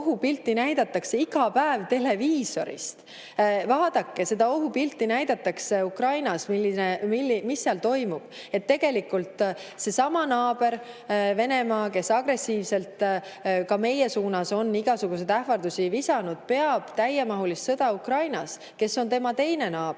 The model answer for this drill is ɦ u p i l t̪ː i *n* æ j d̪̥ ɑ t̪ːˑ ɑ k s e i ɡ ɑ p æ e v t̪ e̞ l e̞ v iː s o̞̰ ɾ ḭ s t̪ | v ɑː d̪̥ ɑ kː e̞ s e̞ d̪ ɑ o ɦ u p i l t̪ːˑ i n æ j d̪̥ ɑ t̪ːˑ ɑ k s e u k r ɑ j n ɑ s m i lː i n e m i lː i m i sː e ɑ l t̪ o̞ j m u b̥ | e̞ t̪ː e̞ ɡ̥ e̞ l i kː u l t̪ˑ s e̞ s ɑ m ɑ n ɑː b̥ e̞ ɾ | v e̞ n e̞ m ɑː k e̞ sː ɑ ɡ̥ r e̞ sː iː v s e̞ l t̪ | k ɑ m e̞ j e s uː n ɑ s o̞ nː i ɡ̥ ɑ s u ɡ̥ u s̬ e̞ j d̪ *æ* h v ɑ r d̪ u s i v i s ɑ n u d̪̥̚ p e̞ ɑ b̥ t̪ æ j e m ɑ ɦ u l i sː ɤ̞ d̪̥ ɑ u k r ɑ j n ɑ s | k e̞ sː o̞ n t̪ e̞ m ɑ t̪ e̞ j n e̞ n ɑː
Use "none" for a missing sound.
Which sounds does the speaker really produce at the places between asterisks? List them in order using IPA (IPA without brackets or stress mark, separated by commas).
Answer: n, æ